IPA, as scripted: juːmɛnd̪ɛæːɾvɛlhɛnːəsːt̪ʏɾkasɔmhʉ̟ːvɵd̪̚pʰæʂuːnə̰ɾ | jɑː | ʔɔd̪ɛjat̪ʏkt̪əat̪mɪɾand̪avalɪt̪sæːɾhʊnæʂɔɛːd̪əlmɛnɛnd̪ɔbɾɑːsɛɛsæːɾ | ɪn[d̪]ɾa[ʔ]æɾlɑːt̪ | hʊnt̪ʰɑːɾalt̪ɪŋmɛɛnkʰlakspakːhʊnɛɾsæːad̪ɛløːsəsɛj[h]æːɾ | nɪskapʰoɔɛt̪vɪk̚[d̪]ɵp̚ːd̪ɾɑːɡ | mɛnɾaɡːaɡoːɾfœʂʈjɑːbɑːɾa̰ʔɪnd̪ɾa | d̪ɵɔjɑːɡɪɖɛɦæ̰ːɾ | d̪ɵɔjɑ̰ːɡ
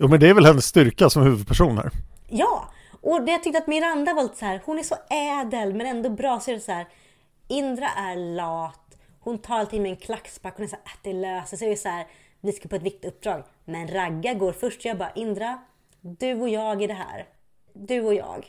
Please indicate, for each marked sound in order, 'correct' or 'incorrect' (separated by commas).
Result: correct, correct, incorrect, incorrect